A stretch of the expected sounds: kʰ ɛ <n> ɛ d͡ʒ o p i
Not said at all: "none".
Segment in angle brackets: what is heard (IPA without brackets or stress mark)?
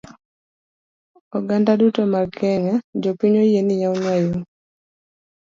ŋ